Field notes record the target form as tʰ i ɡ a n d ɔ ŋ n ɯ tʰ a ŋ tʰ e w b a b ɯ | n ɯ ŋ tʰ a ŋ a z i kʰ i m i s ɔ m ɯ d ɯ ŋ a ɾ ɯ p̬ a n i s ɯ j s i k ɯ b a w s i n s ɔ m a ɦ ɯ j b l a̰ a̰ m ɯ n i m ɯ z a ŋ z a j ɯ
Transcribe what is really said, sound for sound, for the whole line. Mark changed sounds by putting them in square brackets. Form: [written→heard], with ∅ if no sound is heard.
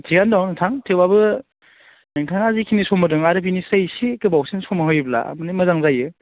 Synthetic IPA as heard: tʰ i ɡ a n d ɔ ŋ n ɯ tʰ a ŋ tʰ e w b a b ɯ | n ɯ ŋ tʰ a ŋ a z i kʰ i [m→n] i s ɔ m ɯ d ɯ ŋ a ɾ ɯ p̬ [a→i] n i s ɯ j s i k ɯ b a w s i n s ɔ m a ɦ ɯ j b l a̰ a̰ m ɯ n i m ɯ z a ŋ z a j ɯ